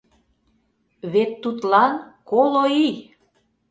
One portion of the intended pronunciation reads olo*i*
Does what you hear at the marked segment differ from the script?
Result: no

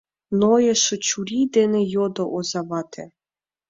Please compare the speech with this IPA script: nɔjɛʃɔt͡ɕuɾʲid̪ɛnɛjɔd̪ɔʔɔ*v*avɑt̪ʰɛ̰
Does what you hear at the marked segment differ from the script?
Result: yes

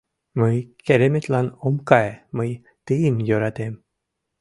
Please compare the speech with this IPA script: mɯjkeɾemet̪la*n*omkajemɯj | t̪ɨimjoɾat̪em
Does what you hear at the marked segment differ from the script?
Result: no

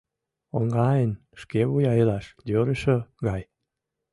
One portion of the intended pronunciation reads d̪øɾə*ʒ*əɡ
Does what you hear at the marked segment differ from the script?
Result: yes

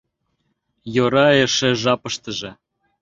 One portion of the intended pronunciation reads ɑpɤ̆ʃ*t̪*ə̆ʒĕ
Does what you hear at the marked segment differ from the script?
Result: no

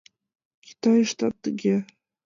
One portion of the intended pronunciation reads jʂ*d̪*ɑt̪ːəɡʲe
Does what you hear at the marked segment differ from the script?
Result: yes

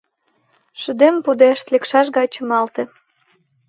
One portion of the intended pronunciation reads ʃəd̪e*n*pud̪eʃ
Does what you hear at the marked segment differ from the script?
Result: yes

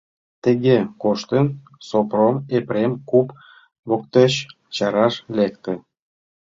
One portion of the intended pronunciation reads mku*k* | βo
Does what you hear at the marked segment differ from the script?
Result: yes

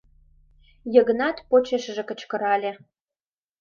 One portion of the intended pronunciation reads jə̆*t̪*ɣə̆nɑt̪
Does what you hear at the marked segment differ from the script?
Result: yes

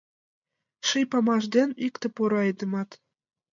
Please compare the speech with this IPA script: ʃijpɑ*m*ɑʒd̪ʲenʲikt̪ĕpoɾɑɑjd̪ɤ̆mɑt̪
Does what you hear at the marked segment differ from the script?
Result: no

